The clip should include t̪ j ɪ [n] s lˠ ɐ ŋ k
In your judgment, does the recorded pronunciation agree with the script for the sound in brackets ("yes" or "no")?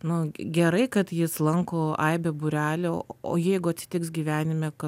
no